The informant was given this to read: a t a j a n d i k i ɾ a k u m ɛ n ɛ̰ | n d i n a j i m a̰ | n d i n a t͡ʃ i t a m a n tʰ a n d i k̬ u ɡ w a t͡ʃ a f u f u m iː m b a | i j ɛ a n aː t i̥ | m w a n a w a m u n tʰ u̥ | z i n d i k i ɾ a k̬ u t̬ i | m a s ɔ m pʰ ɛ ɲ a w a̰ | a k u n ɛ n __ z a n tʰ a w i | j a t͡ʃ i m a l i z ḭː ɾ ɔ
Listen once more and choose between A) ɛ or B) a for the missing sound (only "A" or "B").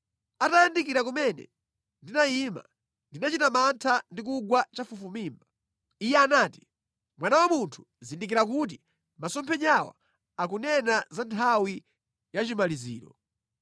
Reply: B